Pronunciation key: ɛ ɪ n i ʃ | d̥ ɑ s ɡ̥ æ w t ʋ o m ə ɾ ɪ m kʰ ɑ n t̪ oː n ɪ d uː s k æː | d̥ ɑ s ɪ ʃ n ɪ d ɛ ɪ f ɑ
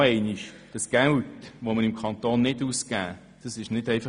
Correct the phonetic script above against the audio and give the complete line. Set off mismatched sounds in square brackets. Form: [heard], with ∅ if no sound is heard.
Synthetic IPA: ɛ ɪ n i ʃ | d̥ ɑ s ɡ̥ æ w t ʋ o m ə ɾ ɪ m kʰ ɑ n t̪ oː [nː] ɪ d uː s k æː | d̥ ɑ s ɪ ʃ n ɪ d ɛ ɪ f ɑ